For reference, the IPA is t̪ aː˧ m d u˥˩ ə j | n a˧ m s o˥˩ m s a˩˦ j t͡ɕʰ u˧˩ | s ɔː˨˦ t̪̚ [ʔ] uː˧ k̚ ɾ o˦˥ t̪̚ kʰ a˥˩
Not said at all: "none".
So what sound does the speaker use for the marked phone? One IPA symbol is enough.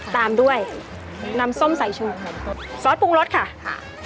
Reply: p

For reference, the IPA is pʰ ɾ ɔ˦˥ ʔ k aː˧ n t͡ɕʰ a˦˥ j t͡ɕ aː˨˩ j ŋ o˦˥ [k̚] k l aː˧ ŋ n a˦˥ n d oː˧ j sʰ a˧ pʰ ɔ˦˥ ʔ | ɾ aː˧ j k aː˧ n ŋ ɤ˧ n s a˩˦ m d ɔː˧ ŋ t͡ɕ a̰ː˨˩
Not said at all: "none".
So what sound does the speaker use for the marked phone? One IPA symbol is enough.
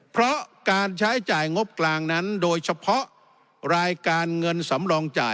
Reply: p̚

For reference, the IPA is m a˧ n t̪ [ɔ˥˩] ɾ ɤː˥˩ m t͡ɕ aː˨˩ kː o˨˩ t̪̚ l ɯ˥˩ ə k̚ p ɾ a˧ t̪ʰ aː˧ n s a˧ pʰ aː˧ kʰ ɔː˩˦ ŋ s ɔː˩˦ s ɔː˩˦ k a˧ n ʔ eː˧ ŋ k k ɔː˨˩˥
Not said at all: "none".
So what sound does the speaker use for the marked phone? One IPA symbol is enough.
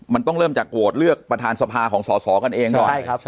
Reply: ɔ˥˩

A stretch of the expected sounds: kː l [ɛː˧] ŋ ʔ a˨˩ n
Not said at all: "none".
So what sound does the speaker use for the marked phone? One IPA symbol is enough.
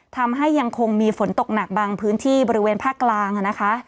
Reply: aː˧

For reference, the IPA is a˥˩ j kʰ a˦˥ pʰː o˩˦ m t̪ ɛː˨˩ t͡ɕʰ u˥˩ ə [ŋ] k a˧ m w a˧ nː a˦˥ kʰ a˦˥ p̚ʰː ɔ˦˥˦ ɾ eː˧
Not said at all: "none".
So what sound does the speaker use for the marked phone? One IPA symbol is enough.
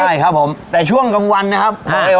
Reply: ŋ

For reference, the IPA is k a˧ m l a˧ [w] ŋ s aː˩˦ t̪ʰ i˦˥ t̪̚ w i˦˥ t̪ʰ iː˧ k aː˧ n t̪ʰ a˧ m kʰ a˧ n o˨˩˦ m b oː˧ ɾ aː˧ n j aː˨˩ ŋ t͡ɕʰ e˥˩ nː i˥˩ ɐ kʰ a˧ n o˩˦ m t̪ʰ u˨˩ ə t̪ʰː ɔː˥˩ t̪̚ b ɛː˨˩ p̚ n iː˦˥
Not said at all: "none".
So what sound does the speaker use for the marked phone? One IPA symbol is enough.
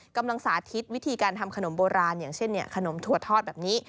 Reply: none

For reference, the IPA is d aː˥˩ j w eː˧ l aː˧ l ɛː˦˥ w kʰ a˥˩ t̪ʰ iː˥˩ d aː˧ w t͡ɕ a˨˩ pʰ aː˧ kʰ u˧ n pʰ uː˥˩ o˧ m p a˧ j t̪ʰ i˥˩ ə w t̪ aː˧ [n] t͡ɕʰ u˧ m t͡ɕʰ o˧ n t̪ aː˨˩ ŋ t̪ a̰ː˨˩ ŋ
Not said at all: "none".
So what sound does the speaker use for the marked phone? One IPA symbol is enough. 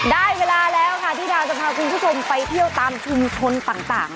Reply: m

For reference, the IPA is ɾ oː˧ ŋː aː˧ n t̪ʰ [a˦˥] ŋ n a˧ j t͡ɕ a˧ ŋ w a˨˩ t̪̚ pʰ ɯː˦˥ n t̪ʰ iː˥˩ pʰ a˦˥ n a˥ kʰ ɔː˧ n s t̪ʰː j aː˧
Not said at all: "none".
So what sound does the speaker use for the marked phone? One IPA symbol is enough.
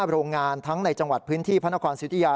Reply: a˦˥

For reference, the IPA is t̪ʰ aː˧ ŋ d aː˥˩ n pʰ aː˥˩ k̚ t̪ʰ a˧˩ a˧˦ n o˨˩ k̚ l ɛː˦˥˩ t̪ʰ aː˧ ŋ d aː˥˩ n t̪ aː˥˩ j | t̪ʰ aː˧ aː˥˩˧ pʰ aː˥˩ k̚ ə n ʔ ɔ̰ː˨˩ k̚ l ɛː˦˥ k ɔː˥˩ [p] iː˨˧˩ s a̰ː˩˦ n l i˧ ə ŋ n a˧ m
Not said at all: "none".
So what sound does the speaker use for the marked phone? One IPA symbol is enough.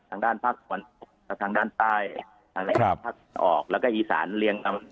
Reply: ʔ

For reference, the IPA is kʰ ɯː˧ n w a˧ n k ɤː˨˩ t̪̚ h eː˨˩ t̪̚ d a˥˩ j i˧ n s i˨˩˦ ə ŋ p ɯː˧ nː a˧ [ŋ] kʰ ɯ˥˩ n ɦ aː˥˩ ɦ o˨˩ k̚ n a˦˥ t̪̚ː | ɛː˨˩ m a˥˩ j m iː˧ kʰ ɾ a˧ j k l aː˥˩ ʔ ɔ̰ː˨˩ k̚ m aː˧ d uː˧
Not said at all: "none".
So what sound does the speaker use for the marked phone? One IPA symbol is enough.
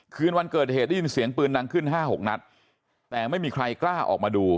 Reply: ŋ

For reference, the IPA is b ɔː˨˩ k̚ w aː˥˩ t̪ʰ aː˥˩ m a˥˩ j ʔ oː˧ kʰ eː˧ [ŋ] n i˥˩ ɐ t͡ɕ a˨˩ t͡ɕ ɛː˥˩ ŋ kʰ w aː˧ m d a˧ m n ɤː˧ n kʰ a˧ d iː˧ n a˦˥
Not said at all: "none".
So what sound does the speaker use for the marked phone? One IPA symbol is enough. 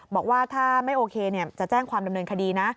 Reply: none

